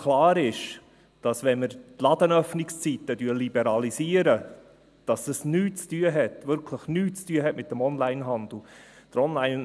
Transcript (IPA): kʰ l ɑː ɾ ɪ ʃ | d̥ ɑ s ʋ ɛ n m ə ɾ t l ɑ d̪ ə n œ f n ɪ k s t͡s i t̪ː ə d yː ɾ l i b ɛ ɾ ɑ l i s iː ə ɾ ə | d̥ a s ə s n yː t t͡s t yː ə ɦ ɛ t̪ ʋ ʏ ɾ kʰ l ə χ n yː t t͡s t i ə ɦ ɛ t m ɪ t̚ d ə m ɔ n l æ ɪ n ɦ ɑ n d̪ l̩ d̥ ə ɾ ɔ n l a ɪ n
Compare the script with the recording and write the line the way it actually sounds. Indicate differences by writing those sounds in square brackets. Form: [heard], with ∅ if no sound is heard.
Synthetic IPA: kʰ l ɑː ɾ ɪ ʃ | d̥ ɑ s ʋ ɛ n m ə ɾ t l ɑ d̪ ə n œ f n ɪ k s t͡s i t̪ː ə d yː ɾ l i b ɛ ɾ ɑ l i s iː ə ɾ ə | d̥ [ɑ] s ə s n yː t t͡s t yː ə ɦ ɛ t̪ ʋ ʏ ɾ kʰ l ə χ n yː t t͡s t [y] ə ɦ ɛ t m ɪ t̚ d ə m ɔ n l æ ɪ n ɦ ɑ n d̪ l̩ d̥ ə ɾ ɔ n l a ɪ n